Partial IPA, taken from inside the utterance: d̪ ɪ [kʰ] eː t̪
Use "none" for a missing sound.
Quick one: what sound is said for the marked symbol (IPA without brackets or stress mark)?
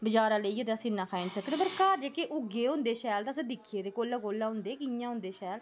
kʰ